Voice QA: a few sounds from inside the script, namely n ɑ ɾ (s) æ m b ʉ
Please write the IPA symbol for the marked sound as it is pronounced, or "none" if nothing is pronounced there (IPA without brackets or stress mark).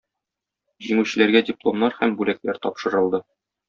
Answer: h